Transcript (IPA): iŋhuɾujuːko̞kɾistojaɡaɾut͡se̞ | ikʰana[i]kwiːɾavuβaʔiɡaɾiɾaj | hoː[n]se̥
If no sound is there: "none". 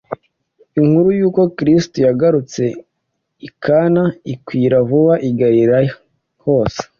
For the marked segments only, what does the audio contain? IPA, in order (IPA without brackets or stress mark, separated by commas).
i, none